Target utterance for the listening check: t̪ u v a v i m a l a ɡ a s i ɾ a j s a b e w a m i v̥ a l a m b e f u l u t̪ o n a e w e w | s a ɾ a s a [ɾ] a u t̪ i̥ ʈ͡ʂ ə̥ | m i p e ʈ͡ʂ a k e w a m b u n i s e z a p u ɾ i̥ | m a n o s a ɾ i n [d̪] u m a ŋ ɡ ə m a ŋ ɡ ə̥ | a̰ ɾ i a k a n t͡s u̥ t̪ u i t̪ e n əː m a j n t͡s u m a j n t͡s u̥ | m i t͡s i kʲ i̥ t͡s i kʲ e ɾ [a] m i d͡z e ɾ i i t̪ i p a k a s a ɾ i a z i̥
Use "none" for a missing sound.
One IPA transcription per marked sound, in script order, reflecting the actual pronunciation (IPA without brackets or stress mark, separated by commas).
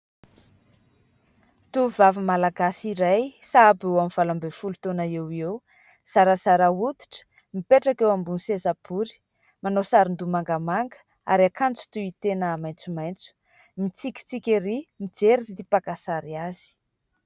ɾ, d̪, i